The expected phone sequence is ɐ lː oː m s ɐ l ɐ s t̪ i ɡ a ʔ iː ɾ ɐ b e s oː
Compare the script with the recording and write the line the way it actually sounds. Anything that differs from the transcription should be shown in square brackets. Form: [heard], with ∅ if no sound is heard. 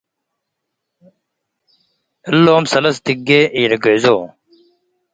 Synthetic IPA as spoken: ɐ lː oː m s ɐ l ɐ s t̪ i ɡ [e] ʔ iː ɾ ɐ [ɡ] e [z] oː